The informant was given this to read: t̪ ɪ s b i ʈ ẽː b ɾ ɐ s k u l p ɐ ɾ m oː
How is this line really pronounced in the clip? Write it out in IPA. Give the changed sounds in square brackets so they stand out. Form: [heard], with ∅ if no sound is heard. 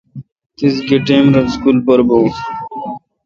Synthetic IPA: t̪ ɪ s [ɡ] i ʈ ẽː [m] ɾ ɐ s k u l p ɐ ɾ [b] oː